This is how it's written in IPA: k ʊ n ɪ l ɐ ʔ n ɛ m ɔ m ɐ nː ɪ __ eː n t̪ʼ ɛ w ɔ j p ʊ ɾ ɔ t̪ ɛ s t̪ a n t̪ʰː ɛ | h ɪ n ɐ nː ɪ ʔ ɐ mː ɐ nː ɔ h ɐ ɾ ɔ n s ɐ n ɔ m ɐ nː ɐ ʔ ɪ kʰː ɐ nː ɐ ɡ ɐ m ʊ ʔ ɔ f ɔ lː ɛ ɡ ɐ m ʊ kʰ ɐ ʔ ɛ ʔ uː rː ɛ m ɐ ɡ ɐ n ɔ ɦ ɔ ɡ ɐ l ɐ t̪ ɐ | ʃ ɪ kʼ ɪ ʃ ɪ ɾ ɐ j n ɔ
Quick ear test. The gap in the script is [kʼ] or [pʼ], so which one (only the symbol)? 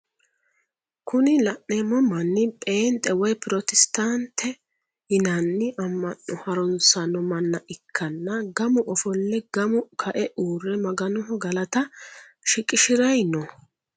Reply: pʼ